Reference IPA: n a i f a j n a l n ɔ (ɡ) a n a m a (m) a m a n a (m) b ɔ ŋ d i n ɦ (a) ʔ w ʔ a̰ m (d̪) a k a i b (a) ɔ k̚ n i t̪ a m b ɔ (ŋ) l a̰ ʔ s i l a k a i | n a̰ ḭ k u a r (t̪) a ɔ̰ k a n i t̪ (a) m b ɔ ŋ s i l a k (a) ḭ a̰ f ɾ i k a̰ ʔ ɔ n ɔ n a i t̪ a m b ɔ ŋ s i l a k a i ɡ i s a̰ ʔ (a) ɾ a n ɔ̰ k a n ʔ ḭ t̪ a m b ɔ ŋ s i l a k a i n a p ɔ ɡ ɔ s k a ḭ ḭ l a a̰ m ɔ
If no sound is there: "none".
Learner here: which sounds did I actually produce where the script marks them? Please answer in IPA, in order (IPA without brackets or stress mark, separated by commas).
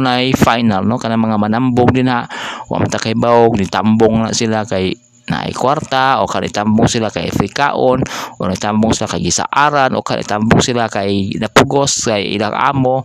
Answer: k, ŋ, m, a, t̪, a, ŋ, t̪, a, a, a